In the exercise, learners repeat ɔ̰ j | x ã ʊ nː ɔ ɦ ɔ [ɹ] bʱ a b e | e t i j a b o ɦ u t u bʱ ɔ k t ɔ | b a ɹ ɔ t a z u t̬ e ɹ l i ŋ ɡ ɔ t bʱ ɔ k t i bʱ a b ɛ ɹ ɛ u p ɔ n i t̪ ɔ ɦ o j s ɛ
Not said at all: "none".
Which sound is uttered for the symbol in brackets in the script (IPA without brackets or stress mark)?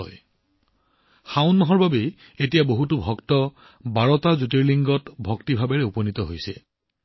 ɹ